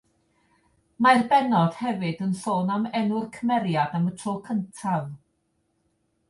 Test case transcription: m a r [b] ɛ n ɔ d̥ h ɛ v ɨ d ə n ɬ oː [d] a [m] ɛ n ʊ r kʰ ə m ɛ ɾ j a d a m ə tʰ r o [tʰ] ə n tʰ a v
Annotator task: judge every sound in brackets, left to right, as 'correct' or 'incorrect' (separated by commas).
correct, incorrect, correct, incorrect